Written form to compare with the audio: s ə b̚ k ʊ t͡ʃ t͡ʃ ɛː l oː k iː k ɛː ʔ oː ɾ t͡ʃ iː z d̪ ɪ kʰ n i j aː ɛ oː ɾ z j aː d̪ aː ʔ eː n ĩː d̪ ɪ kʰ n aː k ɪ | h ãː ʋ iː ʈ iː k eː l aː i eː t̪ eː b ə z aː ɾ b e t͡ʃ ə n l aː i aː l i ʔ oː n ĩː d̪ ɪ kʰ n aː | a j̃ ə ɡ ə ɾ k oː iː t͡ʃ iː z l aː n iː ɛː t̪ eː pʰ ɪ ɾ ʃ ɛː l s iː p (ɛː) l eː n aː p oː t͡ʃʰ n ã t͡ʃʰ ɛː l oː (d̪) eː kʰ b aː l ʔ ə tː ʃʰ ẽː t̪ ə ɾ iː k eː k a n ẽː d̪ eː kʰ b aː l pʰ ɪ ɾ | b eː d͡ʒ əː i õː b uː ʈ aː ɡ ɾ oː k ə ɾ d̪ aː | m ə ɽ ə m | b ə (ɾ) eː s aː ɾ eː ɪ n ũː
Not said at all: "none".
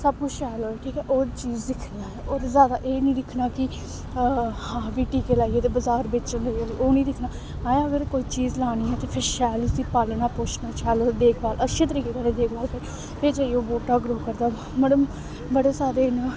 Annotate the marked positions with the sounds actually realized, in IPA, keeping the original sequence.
aː, d̪, ɽ

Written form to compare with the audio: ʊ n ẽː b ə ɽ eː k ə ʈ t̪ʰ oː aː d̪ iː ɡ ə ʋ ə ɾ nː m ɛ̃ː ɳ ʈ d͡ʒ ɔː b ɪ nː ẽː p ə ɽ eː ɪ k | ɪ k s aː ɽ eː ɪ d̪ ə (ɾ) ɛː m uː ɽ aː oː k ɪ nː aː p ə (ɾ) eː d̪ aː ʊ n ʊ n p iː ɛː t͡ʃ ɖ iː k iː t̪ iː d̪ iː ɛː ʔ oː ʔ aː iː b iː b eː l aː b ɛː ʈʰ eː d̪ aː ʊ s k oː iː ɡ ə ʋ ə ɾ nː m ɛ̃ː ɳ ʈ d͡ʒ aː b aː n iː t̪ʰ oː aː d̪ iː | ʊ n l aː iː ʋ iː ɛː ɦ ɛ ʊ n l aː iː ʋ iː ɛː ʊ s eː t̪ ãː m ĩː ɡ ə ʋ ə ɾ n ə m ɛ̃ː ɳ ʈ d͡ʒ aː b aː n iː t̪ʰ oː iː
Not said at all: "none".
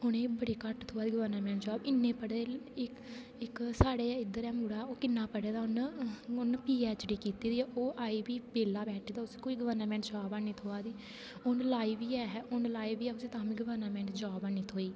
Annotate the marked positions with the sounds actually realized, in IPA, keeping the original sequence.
ɾ, ɽ

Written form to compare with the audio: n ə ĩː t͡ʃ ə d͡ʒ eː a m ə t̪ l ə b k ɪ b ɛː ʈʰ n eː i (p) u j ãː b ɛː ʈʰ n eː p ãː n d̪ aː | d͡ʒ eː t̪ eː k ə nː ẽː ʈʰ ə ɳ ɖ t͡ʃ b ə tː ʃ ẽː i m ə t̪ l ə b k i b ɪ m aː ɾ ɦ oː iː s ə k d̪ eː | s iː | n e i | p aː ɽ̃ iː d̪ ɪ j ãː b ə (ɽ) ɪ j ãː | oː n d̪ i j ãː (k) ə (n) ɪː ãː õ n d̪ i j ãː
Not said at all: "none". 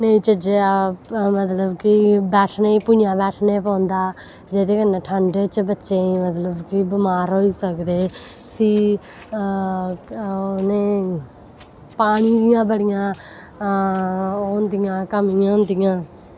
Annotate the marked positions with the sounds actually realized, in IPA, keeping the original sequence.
p, ɽ, k, m

